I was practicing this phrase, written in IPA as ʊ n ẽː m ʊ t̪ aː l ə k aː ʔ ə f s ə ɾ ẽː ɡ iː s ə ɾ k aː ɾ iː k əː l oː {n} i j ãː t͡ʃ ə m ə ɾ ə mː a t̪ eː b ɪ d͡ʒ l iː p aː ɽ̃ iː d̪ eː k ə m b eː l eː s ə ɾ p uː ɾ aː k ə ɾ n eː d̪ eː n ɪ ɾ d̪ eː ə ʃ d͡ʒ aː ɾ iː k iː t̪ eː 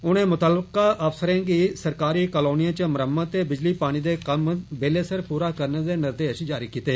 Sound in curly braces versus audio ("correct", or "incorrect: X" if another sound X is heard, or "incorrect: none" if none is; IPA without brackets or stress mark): correct